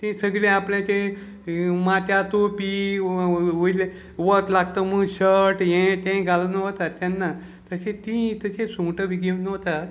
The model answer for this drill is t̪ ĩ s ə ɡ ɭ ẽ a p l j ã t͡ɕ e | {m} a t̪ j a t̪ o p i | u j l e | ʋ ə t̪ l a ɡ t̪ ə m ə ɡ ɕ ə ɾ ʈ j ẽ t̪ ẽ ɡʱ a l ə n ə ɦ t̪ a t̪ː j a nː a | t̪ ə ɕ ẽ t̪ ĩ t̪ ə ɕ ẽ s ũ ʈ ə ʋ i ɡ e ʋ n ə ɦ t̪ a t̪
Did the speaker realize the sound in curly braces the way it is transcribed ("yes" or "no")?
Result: yes